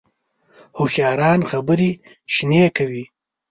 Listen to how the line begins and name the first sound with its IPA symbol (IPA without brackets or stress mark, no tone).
h